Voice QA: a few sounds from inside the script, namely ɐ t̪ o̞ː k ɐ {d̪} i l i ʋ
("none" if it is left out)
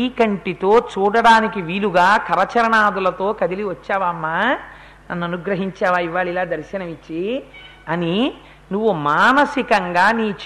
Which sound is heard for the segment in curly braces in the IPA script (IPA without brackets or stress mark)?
d̪